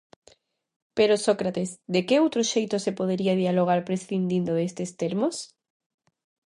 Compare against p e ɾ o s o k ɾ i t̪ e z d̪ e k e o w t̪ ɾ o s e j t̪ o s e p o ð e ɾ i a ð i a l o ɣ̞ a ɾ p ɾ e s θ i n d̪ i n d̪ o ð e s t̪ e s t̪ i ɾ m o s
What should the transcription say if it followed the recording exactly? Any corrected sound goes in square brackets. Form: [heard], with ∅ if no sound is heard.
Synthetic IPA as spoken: p e ɾ o s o k ɾ [a] t̪ e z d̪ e k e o w t̪ ɾ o [ʃ] e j t̪ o s e p o ð e ɾ i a ð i a l o ɣ̞ a ɾ p ɾ e s θ i n d̪ i n d̪ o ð e s t̪ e s t̪ [e] ɾ m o s